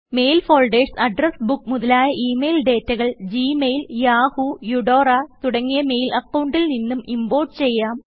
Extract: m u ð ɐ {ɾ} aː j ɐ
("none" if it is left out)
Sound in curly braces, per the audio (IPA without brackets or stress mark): l